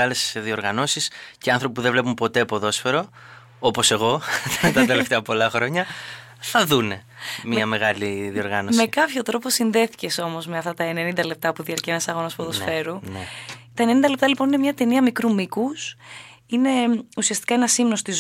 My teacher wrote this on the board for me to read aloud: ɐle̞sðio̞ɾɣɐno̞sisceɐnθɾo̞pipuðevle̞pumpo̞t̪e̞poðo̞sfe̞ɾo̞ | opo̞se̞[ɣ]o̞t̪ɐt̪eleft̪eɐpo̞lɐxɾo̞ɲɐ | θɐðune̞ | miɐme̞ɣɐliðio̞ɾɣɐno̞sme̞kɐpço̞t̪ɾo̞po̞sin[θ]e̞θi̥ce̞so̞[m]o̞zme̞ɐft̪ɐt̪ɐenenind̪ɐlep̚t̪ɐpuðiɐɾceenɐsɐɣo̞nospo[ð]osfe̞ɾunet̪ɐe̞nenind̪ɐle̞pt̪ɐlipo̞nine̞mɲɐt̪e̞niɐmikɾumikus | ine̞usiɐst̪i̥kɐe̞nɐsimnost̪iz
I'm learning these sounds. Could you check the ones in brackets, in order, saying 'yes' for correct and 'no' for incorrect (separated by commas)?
yes, no, yes, yes